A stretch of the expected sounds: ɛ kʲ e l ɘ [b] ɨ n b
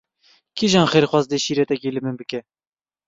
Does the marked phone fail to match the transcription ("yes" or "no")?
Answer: yes